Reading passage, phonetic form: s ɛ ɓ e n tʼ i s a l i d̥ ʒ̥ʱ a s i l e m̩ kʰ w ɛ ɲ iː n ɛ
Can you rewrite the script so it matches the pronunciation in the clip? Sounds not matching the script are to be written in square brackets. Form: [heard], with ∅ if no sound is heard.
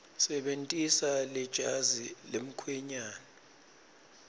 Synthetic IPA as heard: s ɛ ɓ e n tʼ i s a l [ɛ] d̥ ʒ̥ʱ a [z] i l e m̩ kʰ w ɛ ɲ [aː] n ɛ